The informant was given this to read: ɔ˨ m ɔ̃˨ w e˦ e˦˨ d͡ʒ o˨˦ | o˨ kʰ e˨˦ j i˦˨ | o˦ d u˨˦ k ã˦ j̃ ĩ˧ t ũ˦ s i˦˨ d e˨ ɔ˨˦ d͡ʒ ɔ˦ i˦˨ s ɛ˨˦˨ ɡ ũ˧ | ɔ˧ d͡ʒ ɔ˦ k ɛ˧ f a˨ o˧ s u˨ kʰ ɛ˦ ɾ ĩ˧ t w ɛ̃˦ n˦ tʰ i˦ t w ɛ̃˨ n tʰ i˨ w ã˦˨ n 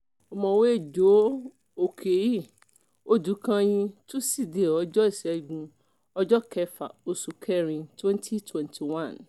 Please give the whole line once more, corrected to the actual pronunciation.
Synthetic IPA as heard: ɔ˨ m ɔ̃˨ w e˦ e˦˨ d͡ʒ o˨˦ | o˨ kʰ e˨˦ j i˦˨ | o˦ d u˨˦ k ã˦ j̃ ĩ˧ t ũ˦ s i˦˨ d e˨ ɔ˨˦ d͡ʒ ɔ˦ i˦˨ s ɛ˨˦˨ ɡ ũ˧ | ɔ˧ d͡ʒ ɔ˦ k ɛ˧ f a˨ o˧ s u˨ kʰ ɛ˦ ɾ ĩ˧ t w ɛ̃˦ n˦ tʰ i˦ t w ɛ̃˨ n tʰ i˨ w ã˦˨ n